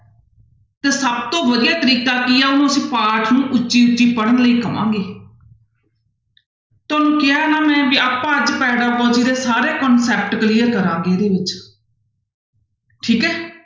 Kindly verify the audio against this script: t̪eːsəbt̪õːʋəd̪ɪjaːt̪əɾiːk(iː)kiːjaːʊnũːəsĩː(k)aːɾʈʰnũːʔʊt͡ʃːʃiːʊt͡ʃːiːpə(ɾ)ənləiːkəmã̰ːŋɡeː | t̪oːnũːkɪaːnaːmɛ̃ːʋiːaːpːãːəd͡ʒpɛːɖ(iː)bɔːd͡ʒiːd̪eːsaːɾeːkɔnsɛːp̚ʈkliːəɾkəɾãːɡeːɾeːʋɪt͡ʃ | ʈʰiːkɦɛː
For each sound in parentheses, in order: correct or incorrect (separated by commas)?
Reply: incorrect, incorrect, incorrect, incorrect